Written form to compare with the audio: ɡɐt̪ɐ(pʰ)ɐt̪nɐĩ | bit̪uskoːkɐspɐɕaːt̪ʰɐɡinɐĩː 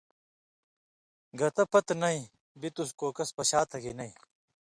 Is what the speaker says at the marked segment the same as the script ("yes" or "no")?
no